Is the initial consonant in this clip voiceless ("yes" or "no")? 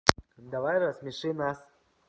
no